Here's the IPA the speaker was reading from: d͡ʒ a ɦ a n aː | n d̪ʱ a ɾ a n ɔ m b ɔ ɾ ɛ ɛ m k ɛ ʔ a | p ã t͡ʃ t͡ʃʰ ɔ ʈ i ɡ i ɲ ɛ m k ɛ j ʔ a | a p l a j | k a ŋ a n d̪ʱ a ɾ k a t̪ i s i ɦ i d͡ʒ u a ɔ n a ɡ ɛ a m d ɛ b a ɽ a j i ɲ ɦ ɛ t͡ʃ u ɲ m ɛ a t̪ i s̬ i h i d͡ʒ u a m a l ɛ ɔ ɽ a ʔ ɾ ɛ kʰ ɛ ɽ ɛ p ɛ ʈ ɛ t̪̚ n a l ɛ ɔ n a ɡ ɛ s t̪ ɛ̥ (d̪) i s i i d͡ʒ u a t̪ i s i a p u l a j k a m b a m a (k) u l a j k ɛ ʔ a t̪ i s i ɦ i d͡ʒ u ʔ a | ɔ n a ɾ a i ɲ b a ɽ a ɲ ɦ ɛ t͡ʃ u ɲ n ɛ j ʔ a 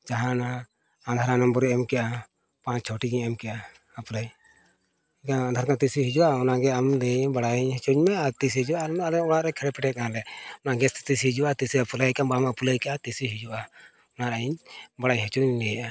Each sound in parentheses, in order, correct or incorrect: incorrect, incorrect

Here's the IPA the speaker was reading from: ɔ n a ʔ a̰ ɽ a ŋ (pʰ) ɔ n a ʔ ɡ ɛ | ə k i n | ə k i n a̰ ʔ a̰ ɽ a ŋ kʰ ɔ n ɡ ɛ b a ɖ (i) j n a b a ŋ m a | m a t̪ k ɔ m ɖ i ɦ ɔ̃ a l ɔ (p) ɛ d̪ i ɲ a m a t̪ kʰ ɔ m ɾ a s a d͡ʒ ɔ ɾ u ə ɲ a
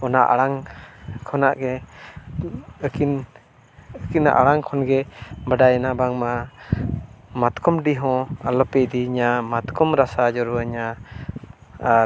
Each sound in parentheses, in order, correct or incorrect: incorrect, incorrect, correct

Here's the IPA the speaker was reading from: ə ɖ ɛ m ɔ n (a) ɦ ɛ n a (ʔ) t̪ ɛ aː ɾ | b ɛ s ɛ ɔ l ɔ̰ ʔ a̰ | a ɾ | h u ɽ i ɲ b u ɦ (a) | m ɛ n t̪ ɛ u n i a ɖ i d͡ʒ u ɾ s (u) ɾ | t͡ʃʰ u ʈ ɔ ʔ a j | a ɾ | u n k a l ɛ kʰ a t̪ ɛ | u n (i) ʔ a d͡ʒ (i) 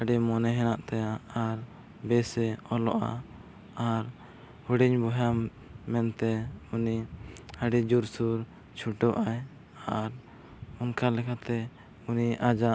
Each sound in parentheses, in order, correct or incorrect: incorrect, correct, correct, correct, correct, incorrect

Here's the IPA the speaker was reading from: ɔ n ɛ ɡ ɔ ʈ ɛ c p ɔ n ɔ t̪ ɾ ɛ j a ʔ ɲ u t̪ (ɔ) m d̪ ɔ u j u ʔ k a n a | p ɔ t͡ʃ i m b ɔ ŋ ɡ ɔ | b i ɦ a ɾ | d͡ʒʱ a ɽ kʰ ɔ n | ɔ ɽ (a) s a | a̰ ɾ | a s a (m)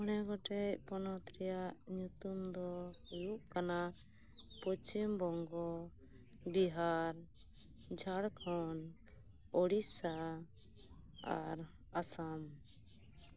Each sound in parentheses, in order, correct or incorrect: incorrect, incorrect, correct

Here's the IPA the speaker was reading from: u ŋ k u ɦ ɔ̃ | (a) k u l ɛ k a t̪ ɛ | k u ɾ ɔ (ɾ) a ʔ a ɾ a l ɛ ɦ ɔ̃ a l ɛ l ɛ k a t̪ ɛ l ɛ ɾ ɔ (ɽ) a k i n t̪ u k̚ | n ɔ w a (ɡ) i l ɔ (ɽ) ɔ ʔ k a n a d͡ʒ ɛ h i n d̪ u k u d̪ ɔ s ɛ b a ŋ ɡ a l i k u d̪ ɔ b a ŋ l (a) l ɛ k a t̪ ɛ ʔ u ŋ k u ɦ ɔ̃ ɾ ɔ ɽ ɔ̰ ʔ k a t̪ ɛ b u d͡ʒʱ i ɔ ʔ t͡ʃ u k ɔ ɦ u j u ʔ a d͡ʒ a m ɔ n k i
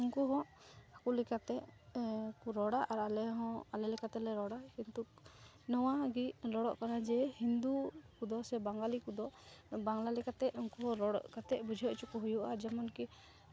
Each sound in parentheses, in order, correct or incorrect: correct, incorrect, correct, correct, correct, correct

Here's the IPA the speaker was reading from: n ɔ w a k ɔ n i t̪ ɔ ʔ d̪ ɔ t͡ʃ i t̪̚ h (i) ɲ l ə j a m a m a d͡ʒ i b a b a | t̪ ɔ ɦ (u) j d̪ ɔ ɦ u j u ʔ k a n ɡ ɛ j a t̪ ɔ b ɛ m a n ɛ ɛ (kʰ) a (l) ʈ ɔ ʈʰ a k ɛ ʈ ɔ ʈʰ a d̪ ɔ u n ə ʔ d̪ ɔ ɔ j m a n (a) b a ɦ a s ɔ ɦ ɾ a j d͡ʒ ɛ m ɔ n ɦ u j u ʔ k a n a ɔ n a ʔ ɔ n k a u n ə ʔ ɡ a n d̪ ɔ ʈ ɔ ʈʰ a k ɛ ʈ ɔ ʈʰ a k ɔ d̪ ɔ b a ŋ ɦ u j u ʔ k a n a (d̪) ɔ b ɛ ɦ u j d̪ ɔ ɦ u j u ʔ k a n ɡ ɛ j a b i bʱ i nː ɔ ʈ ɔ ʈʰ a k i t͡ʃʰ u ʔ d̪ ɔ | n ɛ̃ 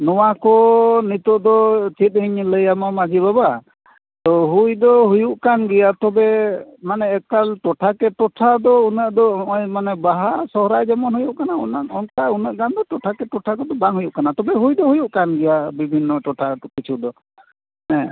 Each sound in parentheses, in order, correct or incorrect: correct, correct, incorrect, correct, incorrect, incorrect

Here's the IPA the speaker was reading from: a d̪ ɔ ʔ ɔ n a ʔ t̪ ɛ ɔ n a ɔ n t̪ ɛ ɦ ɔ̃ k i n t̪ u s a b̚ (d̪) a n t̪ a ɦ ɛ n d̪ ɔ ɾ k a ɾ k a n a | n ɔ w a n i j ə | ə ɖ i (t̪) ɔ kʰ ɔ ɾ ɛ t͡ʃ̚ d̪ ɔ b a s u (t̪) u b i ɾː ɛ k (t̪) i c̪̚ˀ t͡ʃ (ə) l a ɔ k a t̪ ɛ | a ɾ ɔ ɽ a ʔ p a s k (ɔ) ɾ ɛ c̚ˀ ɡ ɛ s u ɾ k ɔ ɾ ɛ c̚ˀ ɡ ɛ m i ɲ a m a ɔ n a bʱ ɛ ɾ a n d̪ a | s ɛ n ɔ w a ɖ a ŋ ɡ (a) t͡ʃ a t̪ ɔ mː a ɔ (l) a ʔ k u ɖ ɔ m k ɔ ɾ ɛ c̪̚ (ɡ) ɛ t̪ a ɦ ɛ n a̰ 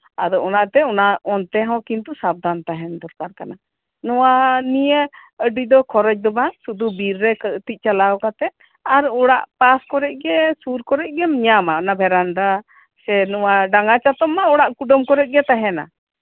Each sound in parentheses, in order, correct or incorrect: correct, incorrect, incorrect, correct, incorrect, correct, correct, incorrect, correct

